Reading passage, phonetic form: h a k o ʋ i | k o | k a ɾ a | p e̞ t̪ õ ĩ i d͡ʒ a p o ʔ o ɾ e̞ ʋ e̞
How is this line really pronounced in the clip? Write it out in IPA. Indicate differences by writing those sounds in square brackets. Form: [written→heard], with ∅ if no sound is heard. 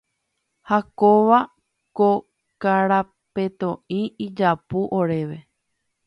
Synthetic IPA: h a k o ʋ [i→a] | k o | k a ɾ a | p e̞ t̪ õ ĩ i d͡ʒ a p [o→u] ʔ o ɾ e̞ ʋ e̞